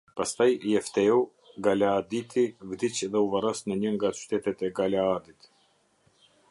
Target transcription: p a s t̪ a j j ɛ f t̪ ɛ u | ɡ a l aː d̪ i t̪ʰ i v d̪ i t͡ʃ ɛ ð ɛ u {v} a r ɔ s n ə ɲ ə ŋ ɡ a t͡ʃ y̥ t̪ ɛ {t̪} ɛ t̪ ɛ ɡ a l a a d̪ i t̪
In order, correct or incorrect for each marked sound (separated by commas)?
correct, correct